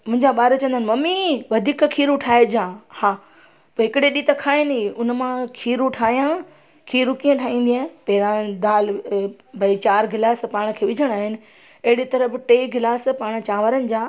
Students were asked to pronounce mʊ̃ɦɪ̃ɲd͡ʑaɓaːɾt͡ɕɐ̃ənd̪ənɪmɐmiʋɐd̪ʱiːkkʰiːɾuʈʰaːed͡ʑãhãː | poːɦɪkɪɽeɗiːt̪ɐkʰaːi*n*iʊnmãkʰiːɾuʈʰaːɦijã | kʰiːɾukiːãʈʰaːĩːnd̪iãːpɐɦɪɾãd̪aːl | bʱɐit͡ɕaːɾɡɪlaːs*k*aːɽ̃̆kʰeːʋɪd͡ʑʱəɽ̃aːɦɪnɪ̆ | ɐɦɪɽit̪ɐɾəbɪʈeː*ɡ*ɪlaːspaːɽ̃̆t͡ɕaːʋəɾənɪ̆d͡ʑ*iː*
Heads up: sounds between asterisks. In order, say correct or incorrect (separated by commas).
correct, incorrect, correct, incorrect